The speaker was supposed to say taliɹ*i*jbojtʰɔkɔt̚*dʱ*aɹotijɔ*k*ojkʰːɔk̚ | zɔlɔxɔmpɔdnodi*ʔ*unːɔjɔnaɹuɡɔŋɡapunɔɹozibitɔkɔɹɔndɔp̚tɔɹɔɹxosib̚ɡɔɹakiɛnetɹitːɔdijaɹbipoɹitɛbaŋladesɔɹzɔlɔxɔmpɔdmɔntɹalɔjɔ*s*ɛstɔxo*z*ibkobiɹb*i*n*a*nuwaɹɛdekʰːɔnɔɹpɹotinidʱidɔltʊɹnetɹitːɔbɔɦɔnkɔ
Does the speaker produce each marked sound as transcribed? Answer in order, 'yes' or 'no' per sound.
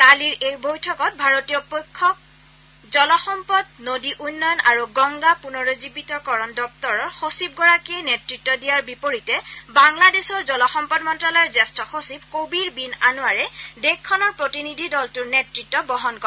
no, no, no, yes, no, no, yes, yes

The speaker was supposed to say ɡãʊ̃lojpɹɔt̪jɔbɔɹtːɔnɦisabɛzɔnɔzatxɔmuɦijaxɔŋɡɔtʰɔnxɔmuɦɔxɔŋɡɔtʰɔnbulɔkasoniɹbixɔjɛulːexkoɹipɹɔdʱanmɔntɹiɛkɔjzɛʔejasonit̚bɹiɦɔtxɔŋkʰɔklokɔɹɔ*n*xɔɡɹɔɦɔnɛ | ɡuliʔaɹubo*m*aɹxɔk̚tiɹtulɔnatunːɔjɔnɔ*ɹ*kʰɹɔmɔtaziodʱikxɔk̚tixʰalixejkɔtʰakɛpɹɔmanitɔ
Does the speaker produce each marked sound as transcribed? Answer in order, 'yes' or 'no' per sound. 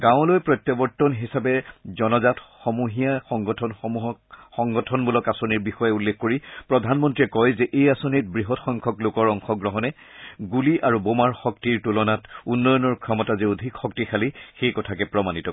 no, yes, yes

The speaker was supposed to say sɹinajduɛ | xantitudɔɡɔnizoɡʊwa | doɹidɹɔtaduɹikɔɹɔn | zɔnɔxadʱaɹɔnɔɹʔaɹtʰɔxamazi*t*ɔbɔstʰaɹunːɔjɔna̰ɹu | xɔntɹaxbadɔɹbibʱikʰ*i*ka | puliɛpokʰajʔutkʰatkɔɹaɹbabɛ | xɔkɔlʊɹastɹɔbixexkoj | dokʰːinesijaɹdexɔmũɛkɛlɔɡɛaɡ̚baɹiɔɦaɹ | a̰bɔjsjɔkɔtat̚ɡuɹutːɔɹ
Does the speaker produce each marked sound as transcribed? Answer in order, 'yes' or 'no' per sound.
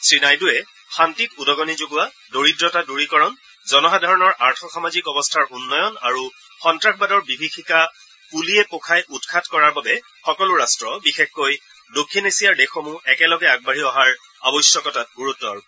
no, yes

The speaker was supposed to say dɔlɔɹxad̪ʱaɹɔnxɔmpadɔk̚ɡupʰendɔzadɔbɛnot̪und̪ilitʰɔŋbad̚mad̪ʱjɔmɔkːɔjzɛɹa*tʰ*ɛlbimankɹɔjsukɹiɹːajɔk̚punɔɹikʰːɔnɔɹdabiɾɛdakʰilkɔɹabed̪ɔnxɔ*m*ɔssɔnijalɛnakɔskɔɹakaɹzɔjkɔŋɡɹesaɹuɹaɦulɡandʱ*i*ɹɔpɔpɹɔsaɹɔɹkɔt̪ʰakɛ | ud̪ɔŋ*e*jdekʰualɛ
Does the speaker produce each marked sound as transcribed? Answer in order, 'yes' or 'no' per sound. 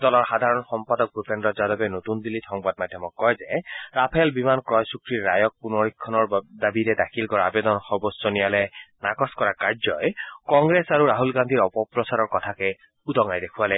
no, no, yes, no

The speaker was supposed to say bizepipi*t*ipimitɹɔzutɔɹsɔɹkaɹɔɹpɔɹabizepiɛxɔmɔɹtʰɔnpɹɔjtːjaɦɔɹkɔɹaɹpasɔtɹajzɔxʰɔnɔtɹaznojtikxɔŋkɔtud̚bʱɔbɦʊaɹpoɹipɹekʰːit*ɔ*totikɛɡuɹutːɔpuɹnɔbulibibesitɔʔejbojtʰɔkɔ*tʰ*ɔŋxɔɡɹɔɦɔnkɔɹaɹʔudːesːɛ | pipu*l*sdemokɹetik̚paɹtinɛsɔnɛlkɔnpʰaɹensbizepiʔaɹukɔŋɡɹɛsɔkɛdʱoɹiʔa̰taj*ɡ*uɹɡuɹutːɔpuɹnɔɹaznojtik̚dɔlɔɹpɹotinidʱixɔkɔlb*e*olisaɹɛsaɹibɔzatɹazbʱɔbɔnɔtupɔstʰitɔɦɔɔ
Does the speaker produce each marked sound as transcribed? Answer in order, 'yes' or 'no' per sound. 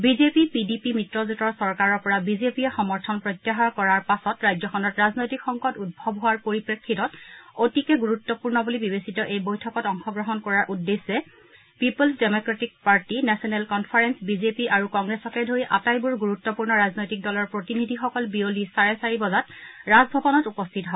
no, yes, no, yes, no, no

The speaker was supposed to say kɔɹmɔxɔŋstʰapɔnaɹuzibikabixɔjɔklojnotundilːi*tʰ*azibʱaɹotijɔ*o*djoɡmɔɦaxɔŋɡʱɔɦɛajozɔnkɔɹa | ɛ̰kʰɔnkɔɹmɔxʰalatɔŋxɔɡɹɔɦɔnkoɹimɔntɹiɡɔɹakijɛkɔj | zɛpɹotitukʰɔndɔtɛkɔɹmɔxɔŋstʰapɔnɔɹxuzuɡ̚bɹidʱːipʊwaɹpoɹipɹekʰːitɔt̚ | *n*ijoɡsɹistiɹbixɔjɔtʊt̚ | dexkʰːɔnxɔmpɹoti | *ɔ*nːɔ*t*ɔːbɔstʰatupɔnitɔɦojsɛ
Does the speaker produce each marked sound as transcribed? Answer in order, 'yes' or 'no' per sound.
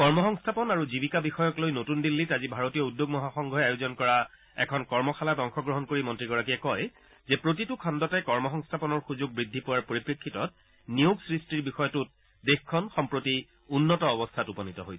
no, no, yes, no, yes

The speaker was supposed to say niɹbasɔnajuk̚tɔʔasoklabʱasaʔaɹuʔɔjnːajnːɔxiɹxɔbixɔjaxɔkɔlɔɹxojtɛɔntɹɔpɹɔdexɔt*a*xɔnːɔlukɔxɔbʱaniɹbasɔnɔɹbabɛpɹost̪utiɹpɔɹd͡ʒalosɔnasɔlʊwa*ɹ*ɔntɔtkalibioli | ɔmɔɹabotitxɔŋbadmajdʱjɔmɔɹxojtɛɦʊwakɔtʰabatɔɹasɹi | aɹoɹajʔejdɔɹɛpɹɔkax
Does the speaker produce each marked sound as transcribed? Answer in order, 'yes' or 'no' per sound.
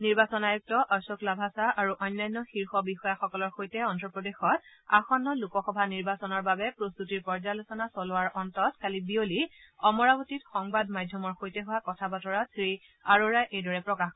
yes, yes

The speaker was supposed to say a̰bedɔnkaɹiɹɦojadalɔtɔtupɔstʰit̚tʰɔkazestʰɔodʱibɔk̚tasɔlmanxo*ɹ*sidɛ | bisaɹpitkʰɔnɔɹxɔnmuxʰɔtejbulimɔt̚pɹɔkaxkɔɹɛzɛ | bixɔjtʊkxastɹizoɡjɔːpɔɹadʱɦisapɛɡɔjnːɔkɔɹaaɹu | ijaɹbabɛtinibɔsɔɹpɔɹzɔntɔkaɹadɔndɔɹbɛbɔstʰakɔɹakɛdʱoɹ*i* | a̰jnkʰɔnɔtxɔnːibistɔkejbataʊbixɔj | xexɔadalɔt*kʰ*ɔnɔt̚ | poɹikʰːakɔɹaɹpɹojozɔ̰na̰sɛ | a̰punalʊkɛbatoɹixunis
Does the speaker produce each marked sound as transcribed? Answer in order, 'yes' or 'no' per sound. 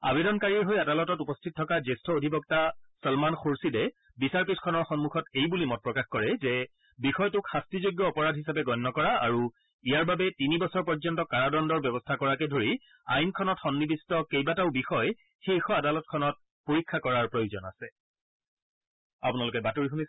yes, yes, yes

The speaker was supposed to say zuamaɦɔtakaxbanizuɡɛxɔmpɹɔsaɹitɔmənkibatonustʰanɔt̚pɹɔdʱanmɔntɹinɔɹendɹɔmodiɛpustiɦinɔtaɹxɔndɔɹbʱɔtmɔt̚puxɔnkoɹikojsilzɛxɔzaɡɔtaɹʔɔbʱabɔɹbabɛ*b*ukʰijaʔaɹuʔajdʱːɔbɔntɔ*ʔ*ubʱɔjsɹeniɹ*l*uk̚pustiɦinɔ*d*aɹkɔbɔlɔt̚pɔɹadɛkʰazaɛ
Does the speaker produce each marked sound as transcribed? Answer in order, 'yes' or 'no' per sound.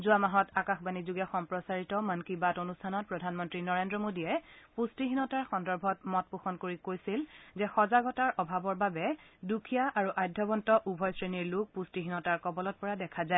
no, yes, yes, no

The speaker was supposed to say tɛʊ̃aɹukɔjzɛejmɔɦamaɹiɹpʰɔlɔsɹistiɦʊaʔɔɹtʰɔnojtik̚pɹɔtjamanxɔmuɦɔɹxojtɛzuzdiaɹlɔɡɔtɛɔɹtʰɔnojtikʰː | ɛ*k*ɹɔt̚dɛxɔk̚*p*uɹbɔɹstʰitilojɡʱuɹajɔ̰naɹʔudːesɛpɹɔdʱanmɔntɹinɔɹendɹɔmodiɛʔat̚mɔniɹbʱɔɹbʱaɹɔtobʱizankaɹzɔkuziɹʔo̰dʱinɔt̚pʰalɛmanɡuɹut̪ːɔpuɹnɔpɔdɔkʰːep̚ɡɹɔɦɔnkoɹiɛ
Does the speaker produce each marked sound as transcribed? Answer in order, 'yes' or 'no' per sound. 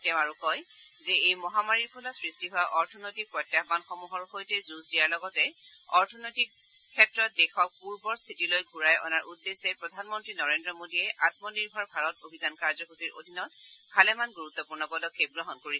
no, yes

